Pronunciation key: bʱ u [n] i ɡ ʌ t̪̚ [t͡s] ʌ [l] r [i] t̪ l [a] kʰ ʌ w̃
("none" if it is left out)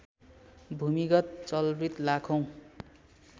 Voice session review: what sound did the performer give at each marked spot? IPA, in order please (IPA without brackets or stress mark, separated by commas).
m, t͡s, l, i, a